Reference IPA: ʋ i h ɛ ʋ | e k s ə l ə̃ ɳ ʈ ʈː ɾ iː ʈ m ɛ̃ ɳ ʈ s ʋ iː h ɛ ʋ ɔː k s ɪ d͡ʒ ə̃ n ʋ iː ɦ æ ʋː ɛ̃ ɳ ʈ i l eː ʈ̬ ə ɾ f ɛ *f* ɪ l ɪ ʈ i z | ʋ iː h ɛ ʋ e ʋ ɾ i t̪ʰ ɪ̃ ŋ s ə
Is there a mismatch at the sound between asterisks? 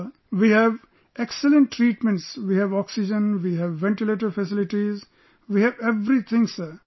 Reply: yes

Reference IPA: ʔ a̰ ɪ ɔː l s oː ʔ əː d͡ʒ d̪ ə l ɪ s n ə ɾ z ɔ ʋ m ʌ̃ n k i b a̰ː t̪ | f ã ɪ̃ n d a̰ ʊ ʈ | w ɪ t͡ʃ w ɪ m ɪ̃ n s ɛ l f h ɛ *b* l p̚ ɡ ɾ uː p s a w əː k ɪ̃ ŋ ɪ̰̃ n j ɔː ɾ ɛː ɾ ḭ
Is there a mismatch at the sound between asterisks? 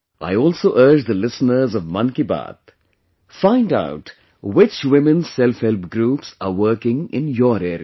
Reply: yes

